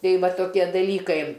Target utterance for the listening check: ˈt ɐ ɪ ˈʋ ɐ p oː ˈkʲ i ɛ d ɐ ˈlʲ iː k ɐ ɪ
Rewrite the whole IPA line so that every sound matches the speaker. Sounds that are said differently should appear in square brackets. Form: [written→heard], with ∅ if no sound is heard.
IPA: ˈt ɐ ɪ ˈʋ ɐ [p→t] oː ˈkʲ i ɛ d ɐ ˈlʲ iː k ɐ ɪ